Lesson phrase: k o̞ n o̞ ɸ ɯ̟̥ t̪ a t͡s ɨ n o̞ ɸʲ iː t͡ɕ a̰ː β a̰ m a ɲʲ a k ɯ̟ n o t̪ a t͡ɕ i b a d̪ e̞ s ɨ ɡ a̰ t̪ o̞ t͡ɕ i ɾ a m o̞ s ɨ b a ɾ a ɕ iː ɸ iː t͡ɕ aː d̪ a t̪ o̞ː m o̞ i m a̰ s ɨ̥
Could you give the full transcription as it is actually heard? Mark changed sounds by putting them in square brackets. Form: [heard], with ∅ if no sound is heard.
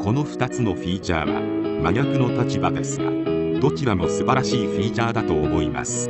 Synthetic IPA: k o̞ n o̞ ɸ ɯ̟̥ t̪ a t͡s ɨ n o̞ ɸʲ iː t͡ɕ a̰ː β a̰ m a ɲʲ a k ɯ̟ n o t̪ a t͡ɕ i b a d̪ e̞ s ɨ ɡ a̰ [d̪] o̞ t͡ɕ i ɾ a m o̞ s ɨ b a ɾ a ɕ iː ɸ iː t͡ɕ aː d̪ a t̪ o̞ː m o̞ i m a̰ s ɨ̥